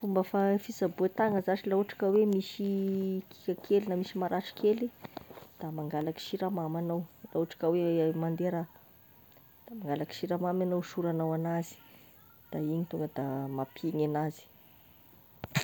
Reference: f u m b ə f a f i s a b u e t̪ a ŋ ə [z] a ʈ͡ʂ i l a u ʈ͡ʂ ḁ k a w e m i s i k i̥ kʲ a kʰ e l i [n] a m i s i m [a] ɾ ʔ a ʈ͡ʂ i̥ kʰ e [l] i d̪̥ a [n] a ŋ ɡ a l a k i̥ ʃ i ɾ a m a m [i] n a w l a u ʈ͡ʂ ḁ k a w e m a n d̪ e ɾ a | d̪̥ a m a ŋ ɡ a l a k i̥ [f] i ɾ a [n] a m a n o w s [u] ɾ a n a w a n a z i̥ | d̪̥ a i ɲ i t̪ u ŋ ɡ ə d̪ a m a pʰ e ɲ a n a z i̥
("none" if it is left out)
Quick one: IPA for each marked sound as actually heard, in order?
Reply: z, n, a, l, m, a, ʃ, m, u

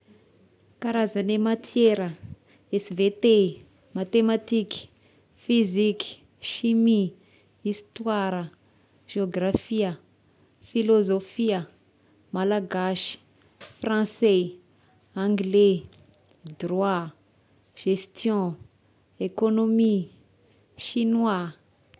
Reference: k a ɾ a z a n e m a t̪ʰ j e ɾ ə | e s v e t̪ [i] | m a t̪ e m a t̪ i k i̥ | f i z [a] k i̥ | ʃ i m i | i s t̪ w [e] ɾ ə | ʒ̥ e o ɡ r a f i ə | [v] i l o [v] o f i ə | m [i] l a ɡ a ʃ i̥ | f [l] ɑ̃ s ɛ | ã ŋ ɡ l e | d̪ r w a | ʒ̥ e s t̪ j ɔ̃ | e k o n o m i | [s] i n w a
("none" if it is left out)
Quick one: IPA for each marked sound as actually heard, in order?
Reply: e, i, a, f, z, a, r, ʃ

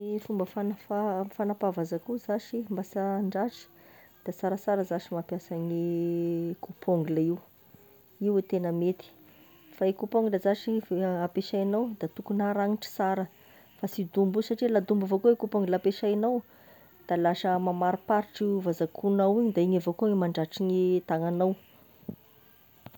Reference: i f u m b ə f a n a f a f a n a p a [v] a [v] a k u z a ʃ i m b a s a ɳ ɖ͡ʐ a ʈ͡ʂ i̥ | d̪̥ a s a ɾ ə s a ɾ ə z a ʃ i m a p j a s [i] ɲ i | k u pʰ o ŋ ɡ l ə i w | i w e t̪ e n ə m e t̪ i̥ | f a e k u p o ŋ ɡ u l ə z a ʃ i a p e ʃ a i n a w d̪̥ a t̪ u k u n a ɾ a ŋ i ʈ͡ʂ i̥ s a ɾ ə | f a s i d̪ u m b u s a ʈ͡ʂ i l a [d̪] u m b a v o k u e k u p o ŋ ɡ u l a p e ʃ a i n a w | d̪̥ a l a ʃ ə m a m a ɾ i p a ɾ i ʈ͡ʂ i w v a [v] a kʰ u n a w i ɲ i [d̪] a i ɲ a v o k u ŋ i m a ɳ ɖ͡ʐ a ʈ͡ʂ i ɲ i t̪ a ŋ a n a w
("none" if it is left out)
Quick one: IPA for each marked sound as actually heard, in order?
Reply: v, z, a, d̪, z, d̪

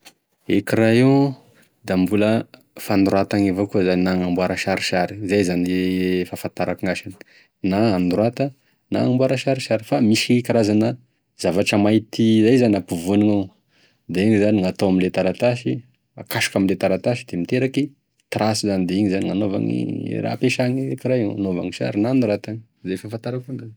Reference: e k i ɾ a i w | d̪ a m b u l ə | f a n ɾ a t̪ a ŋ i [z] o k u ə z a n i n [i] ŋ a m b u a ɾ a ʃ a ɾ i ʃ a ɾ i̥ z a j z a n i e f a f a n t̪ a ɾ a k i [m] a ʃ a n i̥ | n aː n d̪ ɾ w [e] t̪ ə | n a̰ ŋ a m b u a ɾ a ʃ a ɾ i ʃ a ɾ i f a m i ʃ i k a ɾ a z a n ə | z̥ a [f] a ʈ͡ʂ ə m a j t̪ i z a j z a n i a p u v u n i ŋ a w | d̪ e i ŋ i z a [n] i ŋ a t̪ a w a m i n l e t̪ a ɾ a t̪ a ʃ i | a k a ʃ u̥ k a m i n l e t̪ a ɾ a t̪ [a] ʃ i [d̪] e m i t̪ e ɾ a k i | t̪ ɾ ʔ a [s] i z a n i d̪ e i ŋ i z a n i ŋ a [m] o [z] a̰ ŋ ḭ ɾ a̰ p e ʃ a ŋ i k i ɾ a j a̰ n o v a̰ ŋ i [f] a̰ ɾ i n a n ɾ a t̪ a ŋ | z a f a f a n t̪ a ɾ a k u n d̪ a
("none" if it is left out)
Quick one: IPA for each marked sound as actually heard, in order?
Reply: v, a, ŋ, a, v, n, a, d̪, s, n, v, ʃ

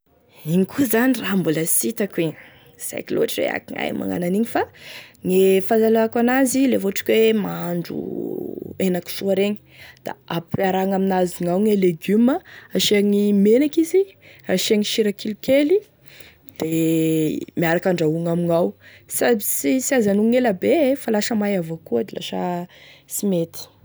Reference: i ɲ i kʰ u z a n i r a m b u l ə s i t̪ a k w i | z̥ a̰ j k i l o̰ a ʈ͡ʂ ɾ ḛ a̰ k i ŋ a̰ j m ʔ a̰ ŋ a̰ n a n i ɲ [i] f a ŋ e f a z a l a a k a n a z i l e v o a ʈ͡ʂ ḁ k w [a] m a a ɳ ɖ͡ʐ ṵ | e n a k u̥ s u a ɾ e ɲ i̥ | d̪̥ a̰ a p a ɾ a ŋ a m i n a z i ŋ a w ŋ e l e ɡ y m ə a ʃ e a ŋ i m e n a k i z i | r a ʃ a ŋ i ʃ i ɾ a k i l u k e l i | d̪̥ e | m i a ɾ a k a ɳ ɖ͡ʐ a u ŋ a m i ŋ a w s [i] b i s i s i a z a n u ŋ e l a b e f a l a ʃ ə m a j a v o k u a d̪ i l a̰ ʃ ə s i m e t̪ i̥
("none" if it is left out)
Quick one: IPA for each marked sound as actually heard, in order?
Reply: i, e, a

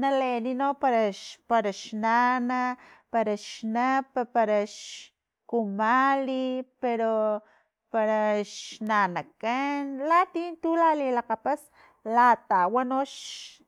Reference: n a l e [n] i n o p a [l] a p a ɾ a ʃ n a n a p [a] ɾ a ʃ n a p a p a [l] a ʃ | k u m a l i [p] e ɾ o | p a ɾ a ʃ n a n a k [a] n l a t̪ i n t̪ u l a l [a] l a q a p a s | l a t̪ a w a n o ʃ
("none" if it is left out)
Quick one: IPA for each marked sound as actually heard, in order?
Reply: n, ɾ, a, ɾ, p, a, i

